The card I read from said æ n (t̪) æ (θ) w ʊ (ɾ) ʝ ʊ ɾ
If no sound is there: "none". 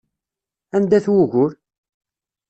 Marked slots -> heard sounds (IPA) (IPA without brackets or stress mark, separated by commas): d̪, θ, none